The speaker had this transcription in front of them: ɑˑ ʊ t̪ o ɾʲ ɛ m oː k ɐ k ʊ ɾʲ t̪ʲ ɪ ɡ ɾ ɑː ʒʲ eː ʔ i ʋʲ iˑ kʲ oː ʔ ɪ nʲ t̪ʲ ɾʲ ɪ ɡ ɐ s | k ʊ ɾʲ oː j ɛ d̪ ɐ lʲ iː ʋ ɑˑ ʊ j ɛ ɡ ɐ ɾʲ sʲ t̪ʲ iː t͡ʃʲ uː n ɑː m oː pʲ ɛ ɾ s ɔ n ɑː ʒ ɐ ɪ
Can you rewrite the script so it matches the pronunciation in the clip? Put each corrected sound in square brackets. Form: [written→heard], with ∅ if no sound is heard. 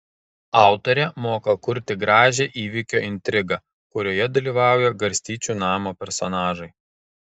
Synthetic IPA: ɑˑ ʊ t̪ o ɾʲ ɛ m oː k ɐ k ʊ ɾʲ t̪ʲ ɪ ɡ ɾ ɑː ʒʲ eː ʔ [i→iː] ʋʲ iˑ kʲ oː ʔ ɪ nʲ t̪ʲ ɾʲ ɪ ɡ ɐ [s→∅] | k ʊ ɾʲ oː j ɛ d̪ ɐ lʲ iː ʋ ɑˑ ʊ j ɛ ɡ ɐ ɾʲ sʲ t̪ʲ iː t͡ʃʲ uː n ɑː m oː pʲ ɛ ɾ s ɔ n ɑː ʒ ɐ ɪ